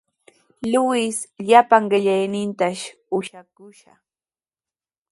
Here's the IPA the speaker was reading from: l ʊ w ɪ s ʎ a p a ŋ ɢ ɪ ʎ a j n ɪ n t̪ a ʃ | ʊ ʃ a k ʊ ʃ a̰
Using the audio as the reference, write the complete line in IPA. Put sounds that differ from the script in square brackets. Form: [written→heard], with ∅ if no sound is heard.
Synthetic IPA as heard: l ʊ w ɪ s ʎ a p a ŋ ɢ ɪ ʎ a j n ɪ n t̪ a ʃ | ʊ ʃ a k ʊ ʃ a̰